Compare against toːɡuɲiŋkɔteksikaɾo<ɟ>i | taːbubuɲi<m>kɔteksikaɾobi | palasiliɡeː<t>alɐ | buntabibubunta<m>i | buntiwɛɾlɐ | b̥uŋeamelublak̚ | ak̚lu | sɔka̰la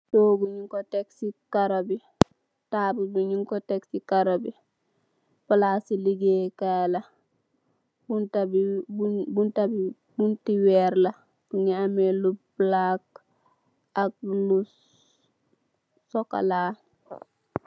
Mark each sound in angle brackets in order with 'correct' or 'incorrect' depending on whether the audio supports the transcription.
incorrect, incorrect, incorrect, incorrect

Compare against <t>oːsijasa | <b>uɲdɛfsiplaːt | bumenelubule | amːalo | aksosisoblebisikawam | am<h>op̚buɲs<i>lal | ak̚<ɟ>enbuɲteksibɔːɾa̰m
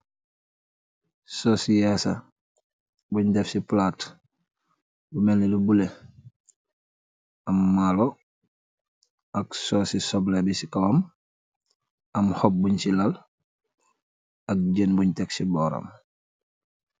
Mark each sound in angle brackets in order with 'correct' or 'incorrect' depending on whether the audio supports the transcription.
incorrect, correct, correct, correct, correct

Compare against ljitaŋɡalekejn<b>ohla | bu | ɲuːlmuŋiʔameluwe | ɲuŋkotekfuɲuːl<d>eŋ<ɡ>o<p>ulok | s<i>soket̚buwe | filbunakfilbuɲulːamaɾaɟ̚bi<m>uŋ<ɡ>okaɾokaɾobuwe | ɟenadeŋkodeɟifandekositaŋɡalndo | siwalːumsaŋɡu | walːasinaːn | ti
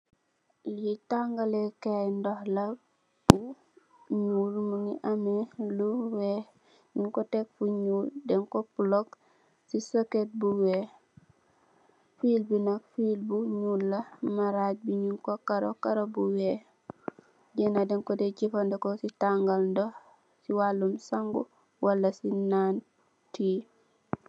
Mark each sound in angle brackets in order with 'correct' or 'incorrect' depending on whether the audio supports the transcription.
incorrect, correct, incorrect, correct, correct, incorrect, incorrect

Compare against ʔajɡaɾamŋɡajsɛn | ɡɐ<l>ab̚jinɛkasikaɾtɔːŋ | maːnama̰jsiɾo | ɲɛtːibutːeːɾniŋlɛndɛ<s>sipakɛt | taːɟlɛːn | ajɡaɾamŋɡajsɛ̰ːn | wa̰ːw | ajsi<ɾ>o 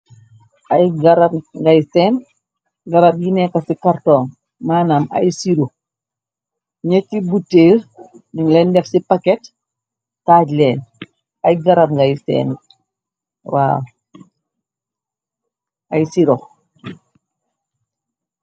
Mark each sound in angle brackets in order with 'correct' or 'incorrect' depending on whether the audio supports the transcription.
incorrect, incorrect, correct

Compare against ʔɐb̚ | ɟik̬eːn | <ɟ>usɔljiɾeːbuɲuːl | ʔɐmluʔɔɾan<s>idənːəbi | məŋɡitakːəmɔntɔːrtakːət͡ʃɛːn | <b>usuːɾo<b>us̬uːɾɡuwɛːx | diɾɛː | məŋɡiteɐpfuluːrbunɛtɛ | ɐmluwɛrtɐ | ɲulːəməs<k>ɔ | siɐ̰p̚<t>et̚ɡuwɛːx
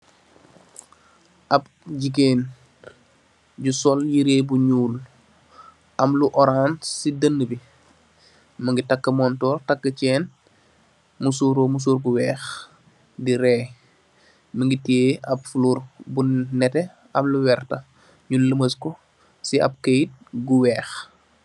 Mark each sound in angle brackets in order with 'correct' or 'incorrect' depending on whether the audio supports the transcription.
correct, correct, incorrect, incorrect, correct, incorrect

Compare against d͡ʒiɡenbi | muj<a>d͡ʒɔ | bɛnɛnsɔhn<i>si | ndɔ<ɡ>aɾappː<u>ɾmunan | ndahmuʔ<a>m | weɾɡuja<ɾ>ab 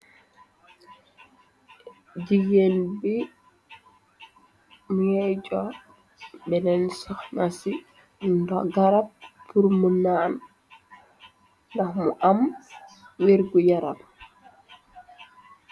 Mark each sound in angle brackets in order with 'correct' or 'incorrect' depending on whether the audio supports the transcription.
incorrect, incorrect, correct, correct, correct, correct

